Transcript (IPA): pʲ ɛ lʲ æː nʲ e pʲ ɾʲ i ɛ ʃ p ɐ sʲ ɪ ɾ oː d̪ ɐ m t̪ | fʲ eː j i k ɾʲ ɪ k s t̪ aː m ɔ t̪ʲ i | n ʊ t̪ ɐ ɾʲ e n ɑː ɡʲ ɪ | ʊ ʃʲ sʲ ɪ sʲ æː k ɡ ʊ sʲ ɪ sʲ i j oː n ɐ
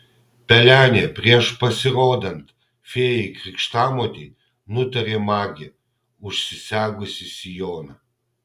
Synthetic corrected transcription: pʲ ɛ lʲ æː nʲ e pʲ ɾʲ i ɛ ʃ p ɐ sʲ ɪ ɾ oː d̪ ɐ n t̪ | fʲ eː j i k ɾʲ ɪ k ʃ t̪ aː m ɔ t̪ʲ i | n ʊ t̪ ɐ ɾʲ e m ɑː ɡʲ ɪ | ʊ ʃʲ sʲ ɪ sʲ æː ɡ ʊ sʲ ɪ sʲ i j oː n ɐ